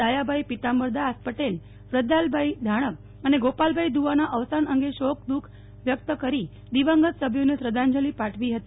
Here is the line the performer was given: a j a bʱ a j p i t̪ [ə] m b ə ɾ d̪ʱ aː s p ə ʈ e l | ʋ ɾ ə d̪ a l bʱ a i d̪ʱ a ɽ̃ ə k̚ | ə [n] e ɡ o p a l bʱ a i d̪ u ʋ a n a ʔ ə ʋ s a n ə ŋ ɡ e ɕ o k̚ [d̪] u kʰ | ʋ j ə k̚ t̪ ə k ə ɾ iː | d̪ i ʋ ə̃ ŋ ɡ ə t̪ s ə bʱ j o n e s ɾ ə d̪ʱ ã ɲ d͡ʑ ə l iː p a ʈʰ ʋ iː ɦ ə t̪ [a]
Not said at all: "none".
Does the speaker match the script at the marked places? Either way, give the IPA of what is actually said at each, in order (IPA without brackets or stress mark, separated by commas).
a, n, d̪, i